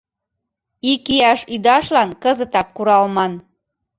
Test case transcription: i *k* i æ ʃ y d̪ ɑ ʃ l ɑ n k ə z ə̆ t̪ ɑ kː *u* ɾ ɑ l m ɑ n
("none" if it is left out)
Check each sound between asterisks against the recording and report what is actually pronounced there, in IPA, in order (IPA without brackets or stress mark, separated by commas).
k, u